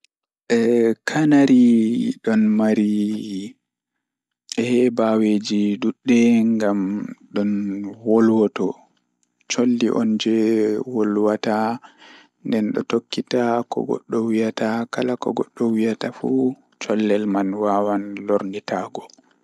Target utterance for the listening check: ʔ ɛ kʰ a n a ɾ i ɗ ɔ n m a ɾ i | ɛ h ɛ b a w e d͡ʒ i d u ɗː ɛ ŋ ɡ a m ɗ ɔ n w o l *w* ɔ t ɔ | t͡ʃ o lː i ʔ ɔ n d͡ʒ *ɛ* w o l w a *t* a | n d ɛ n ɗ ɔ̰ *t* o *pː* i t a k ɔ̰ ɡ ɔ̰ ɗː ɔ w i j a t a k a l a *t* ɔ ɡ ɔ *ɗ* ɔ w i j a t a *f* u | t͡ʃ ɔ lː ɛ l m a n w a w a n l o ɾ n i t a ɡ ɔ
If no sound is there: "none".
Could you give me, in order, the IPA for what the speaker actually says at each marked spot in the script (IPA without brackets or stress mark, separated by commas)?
w, ɛ, t, t, kː, k, ɗː, f